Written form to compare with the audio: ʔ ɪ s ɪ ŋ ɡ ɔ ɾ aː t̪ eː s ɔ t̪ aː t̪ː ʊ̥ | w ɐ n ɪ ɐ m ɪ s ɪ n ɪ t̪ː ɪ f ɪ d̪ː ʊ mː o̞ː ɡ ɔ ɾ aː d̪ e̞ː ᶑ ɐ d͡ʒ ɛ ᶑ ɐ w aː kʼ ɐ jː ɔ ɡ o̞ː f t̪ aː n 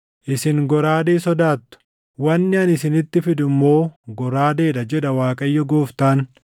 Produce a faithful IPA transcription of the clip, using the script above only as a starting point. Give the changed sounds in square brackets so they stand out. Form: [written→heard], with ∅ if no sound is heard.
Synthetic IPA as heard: ʔ ɪ s ɪ ŋ ɡ ɔ ɾ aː [t̪→d̪] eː s ɔ [t̪→d̪] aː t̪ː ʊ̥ | w ɐ [n→nː] ɪ ɐ [m→n] ɪ s ɪ n ɪ t̪ː ɪ f ɪ [d̪ː→d̪] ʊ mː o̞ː ɡ ɔ ɾ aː d̪ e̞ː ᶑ ɐ d͡ʒ ɛ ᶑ ɐ w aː kʼ ɐ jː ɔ ɡ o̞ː f t̪ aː n